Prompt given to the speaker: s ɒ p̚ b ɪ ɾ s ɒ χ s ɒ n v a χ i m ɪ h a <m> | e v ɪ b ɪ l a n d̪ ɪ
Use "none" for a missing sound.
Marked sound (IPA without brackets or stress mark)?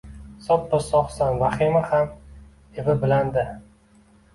m